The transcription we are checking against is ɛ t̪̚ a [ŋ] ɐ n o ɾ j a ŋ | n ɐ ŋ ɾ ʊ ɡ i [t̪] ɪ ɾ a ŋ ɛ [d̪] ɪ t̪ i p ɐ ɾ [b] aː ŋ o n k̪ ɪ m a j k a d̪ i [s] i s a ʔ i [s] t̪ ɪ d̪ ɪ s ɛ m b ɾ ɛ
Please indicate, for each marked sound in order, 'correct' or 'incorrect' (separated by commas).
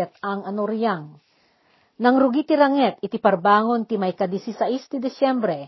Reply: correct, correct, incorrect, correct, correct, correct